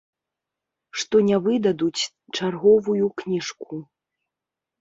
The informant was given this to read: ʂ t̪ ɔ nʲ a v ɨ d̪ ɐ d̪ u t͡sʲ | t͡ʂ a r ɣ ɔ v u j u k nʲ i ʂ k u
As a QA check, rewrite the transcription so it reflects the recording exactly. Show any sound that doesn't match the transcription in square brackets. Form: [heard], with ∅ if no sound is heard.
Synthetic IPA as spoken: ʂ t̪ ɔ nʲ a v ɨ d̪ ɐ d̪ u t͡sʲ | t͡ʂ a r ɣ ɔ v u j u k nʲ i ʂ k u

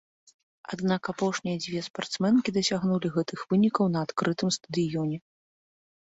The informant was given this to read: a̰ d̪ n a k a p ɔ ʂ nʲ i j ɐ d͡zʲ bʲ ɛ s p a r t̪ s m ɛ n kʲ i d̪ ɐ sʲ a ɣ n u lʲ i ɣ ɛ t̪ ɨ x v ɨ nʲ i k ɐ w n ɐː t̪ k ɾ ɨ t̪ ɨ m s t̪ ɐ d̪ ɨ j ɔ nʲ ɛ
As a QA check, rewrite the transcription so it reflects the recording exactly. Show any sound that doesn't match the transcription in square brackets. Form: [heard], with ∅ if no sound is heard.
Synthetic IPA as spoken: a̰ d̪ n a k a p ɔ ʂ nʲ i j ɐ d͡zʲ [vʲ] ɛ s p a r t̪ s m ɛ n kʲ i d̪ ɐ sʲ a ɣ n u lʲ i ɣ ɛ t̪ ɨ x v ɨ nʲ i k ɐ w n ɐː t̪ k ɾ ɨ t̪ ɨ m s t̪ ɐ d̪ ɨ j ɔ nʲ ɛ

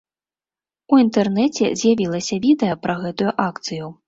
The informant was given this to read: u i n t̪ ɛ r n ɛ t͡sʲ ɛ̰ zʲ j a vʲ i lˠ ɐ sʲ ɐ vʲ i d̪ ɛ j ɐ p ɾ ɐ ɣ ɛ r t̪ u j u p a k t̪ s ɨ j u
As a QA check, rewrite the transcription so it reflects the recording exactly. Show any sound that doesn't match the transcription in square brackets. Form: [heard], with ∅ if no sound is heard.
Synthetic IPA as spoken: u i n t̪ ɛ r n ɛ t͡sʲ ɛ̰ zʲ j a vʲ i lˠ ɐ sʲ ɐ vʲ i d̪ ɛ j ɐ p ɾ ɐ ɣ ɛ [∅] t̪ u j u [ʔ] a k t̪ s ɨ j u

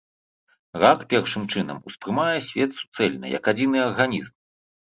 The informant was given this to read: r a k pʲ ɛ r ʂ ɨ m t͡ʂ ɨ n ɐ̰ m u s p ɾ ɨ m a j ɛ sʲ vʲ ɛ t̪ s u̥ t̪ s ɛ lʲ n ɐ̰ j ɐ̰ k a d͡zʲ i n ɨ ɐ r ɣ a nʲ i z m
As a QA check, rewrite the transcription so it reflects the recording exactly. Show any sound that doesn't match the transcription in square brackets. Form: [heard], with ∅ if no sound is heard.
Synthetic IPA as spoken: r a k pʲ ɛ r ʂ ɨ m t͡ʂ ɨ n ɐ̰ m u s p ɾ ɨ m a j ɛ sʲ vʲ ɛ t̪ s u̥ t̪ s ɛ lʲ n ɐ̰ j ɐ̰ k a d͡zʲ i n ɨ ɐ r ɣ a nʲ i z m

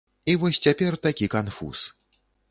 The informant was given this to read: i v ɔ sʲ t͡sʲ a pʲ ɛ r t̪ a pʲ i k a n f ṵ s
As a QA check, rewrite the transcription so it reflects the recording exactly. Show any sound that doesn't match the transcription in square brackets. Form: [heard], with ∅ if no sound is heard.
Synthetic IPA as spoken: i v ɔ sʲ t͡sʲ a pʲ ɛ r t̪ a [kʲ] i k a n f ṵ s

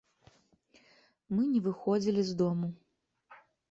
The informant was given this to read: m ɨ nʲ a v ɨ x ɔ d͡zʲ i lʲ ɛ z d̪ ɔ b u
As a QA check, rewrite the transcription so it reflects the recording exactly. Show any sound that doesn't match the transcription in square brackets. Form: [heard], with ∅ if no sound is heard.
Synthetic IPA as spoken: m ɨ nʲ [ɛ] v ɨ x ɔ d͡zʲ i lʲ [i] z d̪ ɔ [m] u

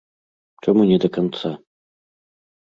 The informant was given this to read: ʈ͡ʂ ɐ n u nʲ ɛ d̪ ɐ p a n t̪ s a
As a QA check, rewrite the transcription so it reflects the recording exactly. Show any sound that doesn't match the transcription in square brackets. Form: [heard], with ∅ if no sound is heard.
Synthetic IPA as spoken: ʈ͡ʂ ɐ [m] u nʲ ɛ d̪ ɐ [k] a n t̪ s a

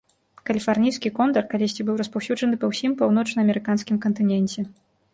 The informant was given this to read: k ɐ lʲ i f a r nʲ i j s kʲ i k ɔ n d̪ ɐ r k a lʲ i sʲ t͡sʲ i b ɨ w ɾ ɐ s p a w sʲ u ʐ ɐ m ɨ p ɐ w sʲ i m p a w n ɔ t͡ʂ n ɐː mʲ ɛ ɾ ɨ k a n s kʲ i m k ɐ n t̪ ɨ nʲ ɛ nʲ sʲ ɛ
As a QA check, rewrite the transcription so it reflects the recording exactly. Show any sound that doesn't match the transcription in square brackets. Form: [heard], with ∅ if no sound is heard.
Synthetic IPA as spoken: k ɐ lʲ i f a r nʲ i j s kʲ i k ɔ n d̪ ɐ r k a lʲ i sʲ t͡sʲ i b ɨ w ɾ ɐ s p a w sʲ u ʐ ɐ [n] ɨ p ɐ w sʲ i m p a w n ɔ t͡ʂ n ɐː mʲ ɛ ɾ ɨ k a n s kʲ i m k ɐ n t̪ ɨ nʲ ɛ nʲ [t͡sʲ] ɛ

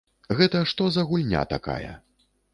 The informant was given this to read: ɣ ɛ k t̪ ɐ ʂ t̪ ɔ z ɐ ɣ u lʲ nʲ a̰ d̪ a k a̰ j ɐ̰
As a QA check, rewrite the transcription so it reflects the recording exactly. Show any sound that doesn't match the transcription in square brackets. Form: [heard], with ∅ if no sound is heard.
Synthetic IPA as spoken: ɣ ɛ [∅] t̪ ɐ ʂ t̪ ɔ z ɐ ɣ u lʲ nʲ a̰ [t̪] a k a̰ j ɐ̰

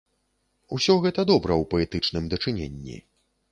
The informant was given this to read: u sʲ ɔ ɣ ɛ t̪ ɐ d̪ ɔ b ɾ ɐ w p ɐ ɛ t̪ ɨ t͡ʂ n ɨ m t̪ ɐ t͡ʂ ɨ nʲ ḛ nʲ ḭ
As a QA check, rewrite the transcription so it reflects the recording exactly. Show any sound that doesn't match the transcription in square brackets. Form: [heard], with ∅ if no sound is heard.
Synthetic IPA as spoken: u sʲ ɔ ɣ ɛ t̪ ɐ d̪ ɔ b ɾ ɐ w p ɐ ɛ t̪ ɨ t͡ʂ n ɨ m [d̪] ɐ t͡ʂ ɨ nʲ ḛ [nʲː] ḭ

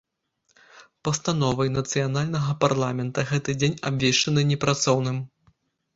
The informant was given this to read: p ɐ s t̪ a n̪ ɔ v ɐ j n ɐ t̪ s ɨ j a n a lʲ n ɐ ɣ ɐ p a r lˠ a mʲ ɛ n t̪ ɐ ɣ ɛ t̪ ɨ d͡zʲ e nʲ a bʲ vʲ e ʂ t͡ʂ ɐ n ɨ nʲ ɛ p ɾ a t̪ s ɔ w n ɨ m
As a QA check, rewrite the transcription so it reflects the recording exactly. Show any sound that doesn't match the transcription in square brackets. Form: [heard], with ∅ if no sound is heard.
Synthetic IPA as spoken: p ɐ s t̪ a n̪ ɔ v ɐ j n ɐ t̪ s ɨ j a n a lʲ n ɐ ɣ ɐ p a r lˠ a mʲ ɛ n t̪ ɐ ɣ ɛ t̪ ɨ d͡zʲ e nʲ a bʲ vʲ e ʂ t͡ʂ ɐ n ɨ nʲ ɛ p ɾ a t̪ s ɔ w n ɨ m

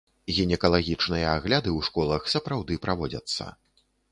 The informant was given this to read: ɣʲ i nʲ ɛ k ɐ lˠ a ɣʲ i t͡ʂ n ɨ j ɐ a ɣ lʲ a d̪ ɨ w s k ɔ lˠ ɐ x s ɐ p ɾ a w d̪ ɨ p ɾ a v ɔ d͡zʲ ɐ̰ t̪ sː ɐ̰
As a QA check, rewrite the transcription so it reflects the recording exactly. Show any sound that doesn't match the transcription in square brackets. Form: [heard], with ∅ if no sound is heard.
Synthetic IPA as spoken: ɣʲ i nʲ ɛ k ɐ lˠ a ɣʲ i t͡ʂ n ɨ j ɐ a ɣ lʲ a d̪ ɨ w [ʂ] k ɔ lˠ ɐ x s ɐ p ɾ a w d̪ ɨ p ɾ a v ɔ d͡zʲ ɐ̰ t̪ sː ɐ̰

